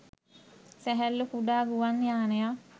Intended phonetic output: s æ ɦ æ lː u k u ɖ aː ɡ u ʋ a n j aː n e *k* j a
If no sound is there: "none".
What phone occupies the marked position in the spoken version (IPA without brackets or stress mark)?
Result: none